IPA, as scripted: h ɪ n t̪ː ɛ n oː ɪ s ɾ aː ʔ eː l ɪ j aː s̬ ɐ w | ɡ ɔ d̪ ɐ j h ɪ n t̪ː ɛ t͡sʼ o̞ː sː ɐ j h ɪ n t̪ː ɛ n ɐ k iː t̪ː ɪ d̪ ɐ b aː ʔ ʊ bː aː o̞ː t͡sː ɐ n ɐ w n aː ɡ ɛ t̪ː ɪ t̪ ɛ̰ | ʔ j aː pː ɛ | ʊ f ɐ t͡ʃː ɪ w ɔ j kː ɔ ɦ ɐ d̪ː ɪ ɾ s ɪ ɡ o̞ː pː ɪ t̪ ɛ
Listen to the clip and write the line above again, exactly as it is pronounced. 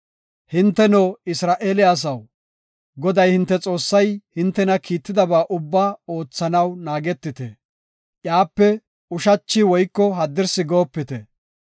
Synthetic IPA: h ɪ n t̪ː ɛ n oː ɪ s ɾ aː ʔ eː l ɪ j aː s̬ ɐ w | ɡ ɔ d̪ ɐ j h ɪ n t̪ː ɛ t͡sʼ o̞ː sː ɐ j h ɪ n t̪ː ɛ n ɐ k iː t̪ː ɪ d̪ ɐ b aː ʔ ʊ bː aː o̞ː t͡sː ɐ n ɐ w n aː ɡ ɛ t̪ː ɪ t̪ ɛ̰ | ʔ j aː pː ɛ | ʊ ʃ ɐ t͡ʃː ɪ w ɔ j kː ɔ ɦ ɐ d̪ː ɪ ɾ s ɪ ɡ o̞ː pː ɪ t̪ ɛ